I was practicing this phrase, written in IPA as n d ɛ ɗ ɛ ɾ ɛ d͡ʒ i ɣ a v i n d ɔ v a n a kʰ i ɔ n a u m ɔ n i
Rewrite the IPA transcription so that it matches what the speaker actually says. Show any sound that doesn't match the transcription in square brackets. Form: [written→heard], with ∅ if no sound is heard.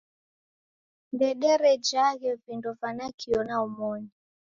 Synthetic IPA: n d ɛ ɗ ɛ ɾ ɛ d͡ʒ [i→a] ɣ [a→ɛ] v i n d ɔ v a n a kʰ i ɔ n a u m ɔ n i